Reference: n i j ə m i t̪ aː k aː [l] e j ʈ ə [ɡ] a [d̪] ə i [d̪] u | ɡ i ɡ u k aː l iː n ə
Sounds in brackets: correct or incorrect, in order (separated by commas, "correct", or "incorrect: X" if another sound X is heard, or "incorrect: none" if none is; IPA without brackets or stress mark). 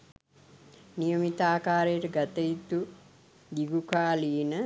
incorrect: ɾ, correct, incorrect: t̪, incorrect: t̪